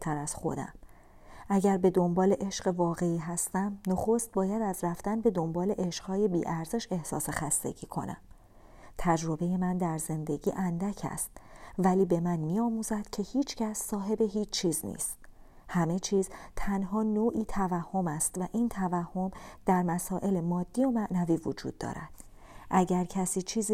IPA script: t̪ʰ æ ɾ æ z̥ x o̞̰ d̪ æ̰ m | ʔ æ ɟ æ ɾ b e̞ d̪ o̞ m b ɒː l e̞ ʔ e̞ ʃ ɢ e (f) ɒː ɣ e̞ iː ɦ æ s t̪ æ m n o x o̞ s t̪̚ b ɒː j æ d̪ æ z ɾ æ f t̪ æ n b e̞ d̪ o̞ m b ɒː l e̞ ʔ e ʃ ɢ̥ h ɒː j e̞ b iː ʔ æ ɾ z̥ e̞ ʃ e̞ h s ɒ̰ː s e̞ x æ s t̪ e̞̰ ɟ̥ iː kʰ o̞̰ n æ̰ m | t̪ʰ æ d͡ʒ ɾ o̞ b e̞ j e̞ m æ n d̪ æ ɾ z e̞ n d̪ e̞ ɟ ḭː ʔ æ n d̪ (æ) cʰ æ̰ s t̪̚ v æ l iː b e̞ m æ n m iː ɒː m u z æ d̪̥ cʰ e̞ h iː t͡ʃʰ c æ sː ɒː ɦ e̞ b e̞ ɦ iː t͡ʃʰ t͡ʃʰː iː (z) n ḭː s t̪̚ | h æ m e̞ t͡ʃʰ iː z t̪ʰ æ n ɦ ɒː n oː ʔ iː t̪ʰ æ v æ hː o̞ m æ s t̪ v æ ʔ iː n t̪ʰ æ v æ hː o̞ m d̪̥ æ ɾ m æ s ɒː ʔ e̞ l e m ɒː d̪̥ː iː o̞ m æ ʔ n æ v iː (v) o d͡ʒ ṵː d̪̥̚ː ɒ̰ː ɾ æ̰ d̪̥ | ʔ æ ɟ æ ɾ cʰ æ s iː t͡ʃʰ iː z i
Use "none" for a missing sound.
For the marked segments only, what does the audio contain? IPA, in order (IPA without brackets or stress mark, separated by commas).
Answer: v, æ, z, v